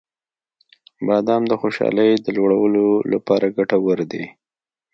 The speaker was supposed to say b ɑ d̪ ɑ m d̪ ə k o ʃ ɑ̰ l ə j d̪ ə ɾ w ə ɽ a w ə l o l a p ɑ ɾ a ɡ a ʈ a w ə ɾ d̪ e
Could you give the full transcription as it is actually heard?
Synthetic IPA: b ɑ d̪ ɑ m d̪ ə x o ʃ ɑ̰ l ə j d̪ ə l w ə ɽ a w ə l o l a p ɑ ɾ a ɡ a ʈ a w ə ɾ d̪ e